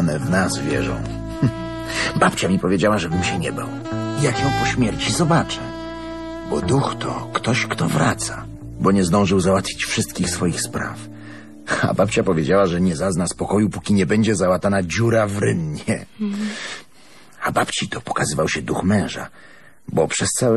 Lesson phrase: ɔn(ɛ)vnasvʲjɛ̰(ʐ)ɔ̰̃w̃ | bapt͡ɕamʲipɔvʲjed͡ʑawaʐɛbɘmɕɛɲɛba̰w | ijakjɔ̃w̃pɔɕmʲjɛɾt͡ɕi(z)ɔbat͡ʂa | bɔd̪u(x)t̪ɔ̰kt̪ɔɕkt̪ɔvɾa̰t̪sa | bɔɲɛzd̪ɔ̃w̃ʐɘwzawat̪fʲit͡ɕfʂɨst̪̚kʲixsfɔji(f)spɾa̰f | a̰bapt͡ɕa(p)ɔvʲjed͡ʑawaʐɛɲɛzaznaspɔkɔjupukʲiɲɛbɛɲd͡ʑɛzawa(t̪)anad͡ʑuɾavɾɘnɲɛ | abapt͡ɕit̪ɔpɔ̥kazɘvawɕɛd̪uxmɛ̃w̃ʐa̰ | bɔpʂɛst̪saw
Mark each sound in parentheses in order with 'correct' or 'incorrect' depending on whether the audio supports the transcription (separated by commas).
correct, correct, correct, correct, incorrect, correct, correct